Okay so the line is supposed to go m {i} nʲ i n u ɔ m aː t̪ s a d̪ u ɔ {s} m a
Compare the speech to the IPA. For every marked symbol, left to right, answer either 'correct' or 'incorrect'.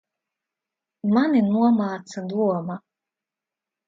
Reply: incorrect: a, incorrect: none

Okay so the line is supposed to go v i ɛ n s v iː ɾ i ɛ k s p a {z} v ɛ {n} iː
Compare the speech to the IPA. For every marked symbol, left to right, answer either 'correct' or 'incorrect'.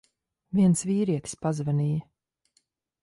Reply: correct, correct

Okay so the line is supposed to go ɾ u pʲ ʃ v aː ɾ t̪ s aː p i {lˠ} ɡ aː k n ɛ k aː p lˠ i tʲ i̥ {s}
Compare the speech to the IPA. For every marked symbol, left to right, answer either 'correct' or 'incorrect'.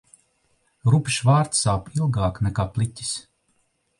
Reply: correct, correct

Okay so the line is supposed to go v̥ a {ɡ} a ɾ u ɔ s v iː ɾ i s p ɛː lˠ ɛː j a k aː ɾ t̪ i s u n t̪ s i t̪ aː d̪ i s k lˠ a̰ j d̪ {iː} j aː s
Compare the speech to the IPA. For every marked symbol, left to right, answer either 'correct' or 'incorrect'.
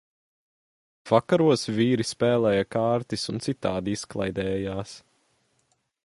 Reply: incorrect: k, incorrect: ɛː

